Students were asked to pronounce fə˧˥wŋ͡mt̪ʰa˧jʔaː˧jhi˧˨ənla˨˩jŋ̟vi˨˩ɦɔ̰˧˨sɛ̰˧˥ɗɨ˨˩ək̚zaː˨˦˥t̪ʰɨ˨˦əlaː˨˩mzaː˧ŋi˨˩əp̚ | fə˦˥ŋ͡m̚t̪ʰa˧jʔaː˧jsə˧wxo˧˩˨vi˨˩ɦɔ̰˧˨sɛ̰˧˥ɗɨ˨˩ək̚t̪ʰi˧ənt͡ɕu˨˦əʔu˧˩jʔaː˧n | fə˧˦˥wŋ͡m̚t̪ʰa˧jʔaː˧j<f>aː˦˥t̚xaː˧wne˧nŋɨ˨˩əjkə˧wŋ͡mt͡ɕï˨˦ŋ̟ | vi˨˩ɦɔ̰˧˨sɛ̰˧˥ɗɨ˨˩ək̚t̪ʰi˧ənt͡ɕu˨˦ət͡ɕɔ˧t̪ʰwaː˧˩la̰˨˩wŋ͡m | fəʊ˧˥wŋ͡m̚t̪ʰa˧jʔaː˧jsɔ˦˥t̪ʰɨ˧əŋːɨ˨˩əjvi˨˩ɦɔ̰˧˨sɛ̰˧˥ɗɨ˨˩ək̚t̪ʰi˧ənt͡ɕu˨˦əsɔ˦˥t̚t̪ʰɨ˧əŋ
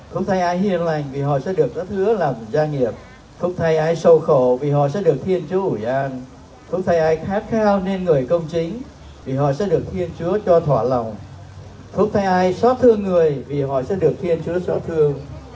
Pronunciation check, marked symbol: incorrect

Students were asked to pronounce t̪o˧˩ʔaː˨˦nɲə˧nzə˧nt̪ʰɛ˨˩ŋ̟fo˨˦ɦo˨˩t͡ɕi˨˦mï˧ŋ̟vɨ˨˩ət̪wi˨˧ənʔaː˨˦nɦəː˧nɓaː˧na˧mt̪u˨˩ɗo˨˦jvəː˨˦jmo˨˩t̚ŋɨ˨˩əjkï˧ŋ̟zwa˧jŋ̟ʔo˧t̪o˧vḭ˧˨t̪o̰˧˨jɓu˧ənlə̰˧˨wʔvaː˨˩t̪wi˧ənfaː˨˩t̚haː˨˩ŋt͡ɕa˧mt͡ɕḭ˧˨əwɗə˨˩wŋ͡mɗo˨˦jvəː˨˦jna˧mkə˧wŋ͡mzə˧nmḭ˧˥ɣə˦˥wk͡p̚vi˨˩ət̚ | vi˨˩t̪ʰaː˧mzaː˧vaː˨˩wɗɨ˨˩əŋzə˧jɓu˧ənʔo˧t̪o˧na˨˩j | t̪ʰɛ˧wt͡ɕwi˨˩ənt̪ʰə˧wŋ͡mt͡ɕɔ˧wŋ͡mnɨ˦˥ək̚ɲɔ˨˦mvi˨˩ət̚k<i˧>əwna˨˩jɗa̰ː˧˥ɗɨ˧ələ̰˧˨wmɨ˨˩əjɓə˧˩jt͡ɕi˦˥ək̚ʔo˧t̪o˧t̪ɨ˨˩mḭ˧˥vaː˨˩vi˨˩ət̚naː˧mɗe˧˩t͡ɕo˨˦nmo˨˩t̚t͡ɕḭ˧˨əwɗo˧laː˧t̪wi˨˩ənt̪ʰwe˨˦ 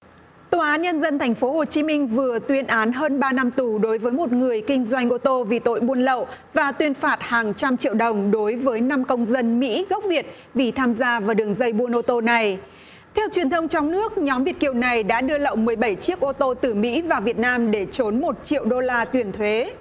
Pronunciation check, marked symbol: incorrect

